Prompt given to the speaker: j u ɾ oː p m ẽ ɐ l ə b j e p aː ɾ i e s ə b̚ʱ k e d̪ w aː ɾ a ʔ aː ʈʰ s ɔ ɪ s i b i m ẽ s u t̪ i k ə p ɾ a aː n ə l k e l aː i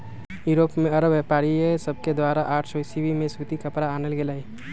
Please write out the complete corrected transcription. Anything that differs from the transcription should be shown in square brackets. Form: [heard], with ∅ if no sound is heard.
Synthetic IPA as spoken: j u ɾ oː p m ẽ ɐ [ɾ] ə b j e p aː ɾ i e s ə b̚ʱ k e d̪ w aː ɾ a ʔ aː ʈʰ s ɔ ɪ s i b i m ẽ s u t̪ i k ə p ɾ a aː n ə l [ɡ] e l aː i